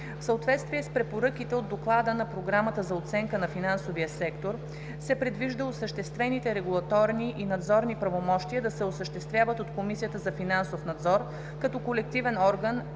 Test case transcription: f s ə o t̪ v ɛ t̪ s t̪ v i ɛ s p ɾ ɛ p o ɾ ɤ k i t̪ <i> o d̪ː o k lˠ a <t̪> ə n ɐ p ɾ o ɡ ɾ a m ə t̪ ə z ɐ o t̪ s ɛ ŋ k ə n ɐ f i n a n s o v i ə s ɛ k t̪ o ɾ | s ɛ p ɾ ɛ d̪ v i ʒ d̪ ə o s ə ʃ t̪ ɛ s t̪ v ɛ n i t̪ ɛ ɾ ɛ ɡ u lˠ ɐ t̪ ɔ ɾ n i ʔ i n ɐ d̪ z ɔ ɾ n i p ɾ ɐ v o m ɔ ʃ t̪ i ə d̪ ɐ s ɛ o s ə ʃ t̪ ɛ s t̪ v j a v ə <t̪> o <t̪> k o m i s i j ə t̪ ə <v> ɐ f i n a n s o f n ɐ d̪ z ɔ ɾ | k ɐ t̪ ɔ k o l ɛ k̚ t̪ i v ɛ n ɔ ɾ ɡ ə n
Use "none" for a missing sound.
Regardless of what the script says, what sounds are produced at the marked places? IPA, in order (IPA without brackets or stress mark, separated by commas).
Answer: ɛ, d̪, t̪, t̪, z